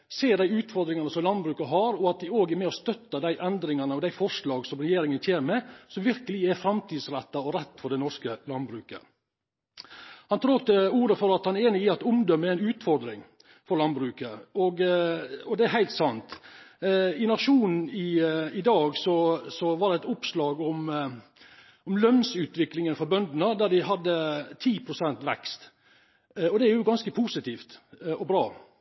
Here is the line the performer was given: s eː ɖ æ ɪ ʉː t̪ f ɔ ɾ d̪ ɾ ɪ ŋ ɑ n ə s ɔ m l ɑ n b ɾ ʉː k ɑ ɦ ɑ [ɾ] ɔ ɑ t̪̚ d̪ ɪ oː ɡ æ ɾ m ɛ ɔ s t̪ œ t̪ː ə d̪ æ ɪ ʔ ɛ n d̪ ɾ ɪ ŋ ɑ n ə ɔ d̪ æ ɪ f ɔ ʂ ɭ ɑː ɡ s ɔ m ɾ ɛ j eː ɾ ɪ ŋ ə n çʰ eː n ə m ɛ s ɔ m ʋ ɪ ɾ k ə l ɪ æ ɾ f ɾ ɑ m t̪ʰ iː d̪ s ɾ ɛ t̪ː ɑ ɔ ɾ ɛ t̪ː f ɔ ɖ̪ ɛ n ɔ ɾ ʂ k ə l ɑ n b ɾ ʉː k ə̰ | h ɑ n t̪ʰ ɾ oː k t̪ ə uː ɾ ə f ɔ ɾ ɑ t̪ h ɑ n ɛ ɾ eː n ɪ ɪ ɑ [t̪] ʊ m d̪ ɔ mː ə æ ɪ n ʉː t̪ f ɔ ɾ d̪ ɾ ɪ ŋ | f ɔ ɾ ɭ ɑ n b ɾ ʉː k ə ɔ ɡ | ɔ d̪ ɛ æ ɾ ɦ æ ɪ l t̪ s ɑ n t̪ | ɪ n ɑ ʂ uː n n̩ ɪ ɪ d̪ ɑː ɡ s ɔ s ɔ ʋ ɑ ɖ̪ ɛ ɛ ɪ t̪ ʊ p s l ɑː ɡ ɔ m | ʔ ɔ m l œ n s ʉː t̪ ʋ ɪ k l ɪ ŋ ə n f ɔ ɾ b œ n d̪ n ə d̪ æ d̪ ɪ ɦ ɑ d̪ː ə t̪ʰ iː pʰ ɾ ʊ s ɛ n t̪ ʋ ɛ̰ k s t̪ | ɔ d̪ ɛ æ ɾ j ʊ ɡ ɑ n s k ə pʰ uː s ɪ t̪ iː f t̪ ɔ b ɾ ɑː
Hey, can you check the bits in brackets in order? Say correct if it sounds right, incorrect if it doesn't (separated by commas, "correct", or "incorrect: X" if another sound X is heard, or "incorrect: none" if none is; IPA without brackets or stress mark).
correct, correct